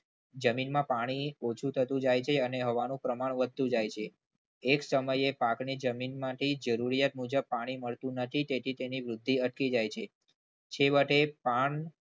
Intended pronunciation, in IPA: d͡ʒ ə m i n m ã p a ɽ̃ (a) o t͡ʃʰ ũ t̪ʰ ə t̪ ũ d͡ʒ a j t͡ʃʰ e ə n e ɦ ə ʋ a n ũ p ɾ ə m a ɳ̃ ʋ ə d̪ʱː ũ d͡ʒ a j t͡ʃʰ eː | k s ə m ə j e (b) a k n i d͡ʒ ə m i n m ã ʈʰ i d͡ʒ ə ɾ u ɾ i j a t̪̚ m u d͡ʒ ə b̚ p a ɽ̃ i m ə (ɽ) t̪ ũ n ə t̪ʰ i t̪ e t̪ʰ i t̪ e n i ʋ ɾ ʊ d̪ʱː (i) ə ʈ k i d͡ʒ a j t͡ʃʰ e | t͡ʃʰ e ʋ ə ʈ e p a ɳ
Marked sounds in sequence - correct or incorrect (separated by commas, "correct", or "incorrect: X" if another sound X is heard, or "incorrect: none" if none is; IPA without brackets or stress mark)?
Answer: incorrect: i, incorrect: p, incorrect: ɭ, correct